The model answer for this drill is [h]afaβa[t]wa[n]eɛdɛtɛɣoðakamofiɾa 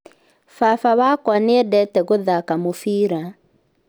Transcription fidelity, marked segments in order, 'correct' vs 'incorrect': incorrect: f, incorrect: k, correct

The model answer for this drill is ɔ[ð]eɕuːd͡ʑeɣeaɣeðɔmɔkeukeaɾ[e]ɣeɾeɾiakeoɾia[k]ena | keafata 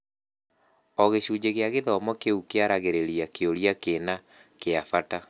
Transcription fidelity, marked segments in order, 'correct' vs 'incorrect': incorrect: ɣ, incorrect: a, correct

